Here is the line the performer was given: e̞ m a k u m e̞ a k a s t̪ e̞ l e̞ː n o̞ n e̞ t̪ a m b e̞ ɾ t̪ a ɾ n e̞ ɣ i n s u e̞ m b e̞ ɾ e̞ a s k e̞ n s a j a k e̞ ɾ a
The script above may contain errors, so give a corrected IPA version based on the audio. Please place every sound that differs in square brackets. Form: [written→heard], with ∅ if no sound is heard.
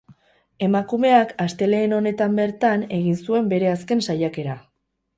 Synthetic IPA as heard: e̞ m a k u m e̞ a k a s t̪ e̞ l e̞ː n o̞ n e̞ t̪ a m b e̞ ɾ t̪ a [ɾ→∅] n e̞ ɣ i n s u e̞ m b e̞ ɾ e̞ a s k e̞ n s a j a k e̞ ɾ a